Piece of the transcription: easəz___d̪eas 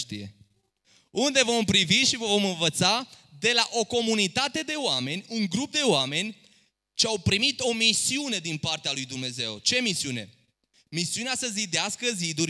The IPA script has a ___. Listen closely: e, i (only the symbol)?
i